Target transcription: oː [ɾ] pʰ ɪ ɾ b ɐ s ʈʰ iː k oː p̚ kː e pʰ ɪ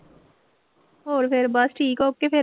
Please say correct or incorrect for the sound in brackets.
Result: correct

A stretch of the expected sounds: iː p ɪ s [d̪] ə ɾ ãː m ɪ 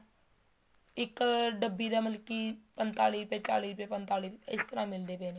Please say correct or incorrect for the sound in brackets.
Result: incorrect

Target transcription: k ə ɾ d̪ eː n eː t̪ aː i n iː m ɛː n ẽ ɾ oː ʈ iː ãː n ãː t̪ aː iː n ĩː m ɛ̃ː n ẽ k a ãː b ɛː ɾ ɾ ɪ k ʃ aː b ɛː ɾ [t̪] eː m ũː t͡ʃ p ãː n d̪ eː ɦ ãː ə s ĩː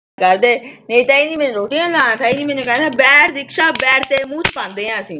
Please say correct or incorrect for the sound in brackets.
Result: correct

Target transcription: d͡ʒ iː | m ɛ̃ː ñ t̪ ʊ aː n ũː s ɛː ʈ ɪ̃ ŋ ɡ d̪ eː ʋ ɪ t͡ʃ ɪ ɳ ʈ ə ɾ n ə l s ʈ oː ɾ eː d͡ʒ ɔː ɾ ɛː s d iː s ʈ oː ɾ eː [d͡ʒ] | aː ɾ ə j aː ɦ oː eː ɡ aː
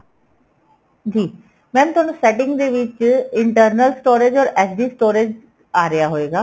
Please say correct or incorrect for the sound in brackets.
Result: correct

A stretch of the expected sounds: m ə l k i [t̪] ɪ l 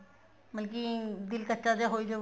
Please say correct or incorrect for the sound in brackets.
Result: incorrect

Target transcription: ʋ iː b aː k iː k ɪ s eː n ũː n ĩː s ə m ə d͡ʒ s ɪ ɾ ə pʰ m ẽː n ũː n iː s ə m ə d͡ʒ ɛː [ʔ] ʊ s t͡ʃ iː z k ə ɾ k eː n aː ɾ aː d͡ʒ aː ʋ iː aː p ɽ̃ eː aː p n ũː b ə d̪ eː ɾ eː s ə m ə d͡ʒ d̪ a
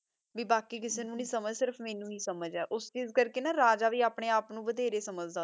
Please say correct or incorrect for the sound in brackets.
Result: correct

